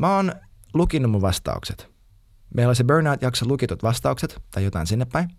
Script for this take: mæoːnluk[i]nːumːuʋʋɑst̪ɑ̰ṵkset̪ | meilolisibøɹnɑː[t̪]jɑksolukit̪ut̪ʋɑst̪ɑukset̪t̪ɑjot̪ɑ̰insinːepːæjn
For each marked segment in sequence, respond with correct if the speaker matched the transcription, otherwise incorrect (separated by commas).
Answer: correct, correct